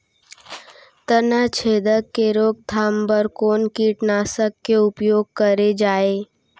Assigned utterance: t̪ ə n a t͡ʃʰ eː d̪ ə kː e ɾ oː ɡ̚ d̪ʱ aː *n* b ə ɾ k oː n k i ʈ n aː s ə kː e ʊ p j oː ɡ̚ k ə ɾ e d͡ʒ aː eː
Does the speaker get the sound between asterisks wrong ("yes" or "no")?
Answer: yes